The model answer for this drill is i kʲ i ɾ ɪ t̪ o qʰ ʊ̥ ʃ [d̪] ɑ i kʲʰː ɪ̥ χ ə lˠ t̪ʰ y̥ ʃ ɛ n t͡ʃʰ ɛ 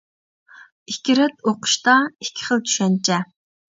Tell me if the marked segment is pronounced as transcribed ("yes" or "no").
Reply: no